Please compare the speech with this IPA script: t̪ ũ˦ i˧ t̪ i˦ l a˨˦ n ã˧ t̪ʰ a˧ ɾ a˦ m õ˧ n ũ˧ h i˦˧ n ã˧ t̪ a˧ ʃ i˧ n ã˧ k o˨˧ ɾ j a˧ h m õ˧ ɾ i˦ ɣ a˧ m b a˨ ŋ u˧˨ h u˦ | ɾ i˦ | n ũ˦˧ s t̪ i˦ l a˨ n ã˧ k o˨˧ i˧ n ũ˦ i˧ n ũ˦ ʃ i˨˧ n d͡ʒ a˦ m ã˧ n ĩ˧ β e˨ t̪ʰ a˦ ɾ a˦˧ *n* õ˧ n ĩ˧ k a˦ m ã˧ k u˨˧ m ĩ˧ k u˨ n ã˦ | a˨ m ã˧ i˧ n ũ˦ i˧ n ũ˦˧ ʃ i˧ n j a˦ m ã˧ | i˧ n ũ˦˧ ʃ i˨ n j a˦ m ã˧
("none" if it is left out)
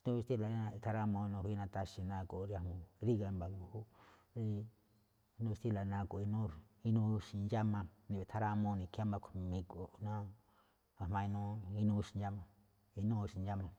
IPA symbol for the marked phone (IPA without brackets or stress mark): m